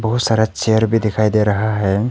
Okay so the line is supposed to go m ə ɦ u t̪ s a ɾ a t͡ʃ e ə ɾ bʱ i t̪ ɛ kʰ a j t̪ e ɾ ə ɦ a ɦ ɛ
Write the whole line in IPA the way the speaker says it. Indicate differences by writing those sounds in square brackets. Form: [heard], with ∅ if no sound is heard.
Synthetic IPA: [b] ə ɦ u t̪ s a ɾ a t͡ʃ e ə ɾ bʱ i [d̪] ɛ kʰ a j [d̪] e ɾ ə ɦ a ɦ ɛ